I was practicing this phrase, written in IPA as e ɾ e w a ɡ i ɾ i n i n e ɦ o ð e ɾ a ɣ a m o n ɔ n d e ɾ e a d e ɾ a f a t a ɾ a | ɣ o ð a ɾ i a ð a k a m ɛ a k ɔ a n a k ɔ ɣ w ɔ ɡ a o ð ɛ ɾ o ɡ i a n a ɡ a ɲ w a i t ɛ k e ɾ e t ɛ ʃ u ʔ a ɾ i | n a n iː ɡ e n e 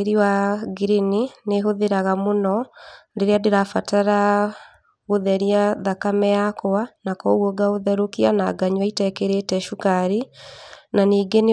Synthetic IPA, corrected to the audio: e ɾ i w a ɡ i ɾ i n i n e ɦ o ð e ɾ a ɣ a m o n ɔ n d e ɾ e a d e ɾ a f a t a ɾ a | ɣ o ð ɛ ɾ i a ð a k a m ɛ a k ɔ a n a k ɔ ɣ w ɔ ɡ a o ð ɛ ɾ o k i a n a ɡ a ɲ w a i t ɛ k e ɾ e t ɛ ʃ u k a ɾ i | n a n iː ɡ e n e